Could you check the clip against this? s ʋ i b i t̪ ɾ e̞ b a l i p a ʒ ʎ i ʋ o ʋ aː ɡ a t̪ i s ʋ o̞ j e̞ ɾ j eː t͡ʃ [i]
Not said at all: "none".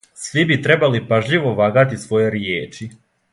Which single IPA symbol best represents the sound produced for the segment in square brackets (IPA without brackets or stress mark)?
i